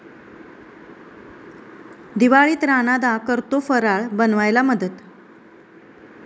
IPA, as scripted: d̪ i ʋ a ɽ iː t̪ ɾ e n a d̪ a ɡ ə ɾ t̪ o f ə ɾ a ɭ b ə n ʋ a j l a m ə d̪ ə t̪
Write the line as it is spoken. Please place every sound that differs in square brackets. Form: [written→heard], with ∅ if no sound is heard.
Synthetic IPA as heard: d̪ i ʋ a [ɽ→ɭ] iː t̪ ɾ [e→a] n a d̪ a [ɡ→k] ə ɾ t̪ o f ə ɾ a ɭ b ə n ʋ a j l a m ə d̪ ə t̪